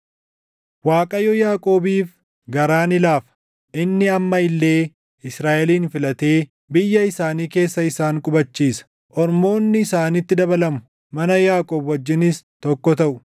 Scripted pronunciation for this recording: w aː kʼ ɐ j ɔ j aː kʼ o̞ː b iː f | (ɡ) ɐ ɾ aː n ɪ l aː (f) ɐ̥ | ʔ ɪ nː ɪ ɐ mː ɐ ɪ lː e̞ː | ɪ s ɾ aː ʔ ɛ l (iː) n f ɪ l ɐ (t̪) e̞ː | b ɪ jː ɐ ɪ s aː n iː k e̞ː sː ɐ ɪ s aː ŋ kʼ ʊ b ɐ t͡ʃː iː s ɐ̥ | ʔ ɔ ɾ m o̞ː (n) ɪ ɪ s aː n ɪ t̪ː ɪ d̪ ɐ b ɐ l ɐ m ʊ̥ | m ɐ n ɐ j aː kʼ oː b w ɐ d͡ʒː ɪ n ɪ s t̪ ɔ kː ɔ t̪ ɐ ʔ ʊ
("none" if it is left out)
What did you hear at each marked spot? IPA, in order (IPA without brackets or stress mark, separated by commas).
ɡ, f, iː, t̪, nː